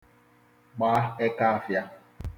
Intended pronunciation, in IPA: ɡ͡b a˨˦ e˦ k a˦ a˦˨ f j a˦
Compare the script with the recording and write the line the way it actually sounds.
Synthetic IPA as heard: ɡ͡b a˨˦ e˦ k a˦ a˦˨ f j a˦